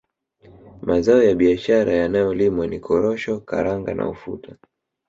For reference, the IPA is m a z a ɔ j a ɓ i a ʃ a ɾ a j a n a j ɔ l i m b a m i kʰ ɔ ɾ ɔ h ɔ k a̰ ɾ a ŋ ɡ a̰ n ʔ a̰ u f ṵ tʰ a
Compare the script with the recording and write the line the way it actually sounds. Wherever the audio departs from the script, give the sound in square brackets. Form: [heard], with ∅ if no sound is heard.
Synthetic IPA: m a z a ɔ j a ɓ i a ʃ a ɾ a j a n a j ɔ l i m [w] a [n] i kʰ ɔ ɾ ɔ [ʃ] ɔ k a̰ ɾ a ŋ ɡ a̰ n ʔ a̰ u f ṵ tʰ a